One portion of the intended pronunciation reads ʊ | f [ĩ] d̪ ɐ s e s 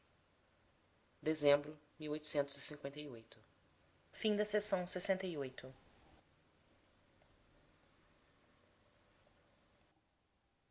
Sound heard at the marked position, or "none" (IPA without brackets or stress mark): ĩ